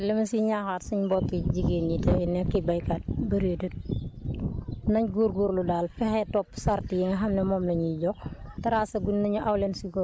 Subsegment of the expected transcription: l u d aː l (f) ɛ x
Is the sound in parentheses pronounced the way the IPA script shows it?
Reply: yes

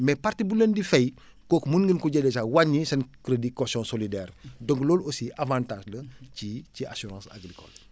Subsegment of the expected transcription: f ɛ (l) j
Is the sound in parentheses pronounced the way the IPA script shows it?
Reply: no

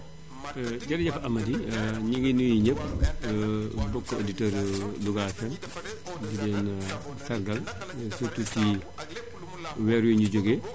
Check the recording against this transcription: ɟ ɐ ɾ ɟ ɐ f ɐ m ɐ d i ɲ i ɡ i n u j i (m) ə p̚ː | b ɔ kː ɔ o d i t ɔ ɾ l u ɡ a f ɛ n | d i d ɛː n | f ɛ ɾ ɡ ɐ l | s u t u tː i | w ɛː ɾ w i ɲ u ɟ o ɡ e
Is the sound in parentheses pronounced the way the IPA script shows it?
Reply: no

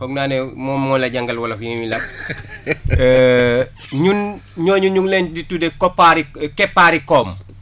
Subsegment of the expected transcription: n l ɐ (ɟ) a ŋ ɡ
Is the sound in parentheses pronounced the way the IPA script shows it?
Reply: yes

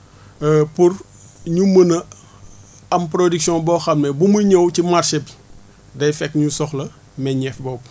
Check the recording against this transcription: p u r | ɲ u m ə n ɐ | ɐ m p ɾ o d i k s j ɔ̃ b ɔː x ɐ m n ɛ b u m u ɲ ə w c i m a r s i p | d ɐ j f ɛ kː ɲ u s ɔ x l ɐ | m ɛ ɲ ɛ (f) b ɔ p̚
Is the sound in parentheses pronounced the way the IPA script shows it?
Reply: yes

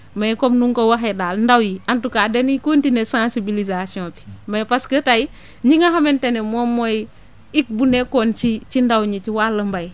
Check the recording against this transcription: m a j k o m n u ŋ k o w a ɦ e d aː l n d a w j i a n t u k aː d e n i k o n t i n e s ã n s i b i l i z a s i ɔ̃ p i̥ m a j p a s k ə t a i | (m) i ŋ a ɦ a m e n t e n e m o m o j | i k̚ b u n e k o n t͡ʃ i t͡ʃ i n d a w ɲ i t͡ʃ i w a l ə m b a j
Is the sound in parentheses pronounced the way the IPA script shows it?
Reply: no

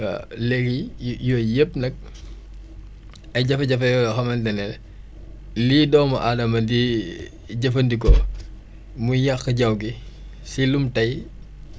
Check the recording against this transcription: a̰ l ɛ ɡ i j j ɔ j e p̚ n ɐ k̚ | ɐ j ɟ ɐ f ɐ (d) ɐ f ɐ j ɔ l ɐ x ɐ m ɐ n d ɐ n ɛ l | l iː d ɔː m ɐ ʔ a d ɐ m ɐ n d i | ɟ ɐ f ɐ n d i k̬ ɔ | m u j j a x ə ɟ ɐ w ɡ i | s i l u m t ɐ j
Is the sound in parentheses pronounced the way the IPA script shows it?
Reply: no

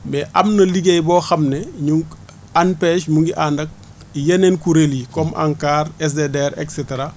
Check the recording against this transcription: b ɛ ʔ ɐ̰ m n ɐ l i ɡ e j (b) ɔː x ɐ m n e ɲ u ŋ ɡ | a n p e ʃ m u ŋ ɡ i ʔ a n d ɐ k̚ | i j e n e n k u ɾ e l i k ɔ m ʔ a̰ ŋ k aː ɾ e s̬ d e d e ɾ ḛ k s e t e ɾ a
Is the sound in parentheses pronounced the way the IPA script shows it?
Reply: yes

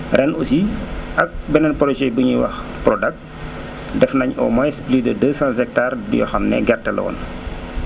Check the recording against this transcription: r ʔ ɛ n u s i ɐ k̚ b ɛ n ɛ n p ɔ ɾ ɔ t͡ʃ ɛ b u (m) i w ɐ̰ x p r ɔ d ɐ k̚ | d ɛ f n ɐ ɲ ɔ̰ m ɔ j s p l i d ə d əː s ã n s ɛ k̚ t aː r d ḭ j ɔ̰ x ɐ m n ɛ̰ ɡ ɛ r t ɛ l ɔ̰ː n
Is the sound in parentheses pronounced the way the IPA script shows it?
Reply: no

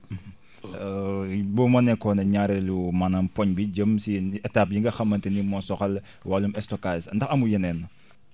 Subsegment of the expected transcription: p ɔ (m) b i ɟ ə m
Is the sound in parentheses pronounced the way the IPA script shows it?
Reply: no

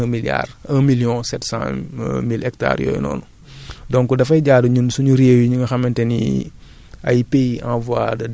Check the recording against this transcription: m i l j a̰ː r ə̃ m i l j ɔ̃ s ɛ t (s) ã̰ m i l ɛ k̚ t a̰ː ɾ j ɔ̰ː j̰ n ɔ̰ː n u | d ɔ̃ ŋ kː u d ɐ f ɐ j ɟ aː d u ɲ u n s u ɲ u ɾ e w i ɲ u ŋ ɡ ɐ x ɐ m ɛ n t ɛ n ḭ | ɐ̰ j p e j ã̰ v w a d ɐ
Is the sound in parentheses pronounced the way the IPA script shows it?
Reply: yes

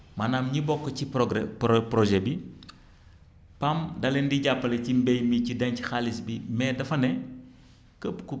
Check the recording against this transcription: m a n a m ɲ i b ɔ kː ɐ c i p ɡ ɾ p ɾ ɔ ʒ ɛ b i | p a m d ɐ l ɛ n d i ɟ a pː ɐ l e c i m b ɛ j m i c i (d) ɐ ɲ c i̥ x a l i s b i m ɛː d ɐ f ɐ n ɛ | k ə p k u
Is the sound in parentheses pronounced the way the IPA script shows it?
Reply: yes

